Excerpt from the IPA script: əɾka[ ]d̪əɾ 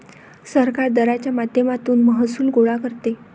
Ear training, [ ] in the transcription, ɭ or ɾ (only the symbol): ɾ